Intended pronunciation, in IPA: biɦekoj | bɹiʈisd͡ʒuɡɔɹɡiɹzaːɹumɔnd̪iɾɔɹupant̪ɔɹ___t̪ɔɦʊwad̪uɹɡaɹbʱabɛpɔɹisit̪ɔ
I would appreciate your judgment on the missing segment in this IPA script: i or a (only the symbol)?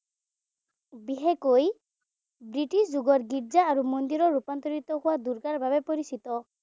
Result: i